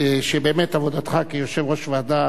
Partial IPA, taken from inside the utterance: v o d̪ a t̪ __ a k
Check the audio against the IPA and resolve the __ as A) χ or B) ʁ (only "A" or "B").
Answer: A